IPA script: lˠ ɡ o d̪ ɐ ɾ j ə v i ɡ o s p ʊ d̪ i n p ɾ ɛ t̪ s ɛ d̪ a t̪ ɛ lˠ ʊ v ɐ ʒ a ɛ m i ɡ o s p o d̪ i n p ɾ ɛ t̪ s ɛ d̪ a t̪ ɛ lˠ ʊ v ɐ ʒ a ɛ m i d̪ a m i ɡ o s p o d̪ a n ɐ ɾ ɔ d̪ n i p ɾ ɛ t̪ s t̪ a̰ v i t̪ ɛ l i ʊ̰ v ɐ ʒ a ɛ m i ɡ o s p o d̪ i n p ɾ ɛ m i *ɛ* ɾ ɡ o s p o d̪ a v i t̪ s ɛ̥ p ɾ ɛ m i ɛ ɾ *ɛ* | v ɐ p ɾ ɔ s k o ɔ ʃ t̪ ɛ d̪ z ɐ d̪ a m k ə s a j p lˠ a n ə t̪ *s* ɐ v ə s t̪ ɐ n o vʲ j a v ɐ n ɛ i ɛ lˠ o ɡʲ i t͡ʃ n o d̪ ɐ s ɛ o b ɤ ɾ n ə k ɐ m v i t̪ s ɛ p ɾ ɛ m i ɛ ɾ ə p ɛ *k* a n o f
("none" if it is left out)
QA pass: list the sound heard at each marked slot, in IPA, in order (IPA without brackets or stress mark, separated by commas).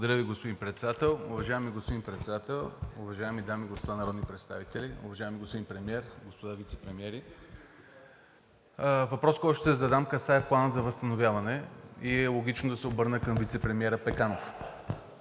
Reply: ɛ, i, z, k